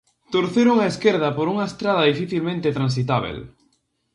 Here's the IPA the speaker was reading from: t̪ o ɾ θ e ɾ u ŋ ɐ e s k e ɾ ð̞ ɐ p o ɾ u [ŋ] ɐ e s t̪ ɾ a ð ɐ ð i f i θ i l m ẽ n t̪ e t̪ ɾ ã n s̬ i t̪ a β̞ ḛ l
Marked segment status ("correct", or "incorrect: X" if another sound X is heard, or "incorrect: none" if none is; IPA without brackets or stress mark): correct